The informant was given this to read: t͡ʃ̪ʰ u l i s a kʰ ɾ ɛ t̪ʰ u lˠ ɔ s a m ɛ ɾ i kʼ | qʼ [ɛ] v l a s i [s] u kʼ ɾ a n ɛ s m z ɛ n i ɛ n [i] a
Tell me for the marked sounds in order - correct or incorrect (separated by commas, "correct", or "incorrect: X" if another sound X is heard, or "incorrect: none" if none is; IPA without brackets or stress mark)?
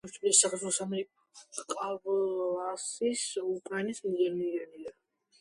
incorrect: a, correct, correct